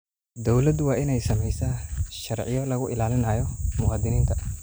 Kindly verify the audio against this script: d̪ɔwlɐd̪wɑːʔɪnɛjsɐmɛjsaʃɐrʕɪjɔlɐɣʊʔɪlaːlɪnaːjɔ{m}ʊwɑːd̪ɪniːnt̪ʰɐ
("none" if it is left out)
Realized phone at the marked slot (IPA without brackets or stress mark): m